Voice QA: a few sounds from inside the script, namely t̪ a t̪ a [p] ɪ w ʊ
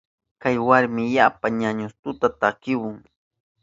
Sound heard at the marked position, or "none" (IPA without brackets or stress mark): k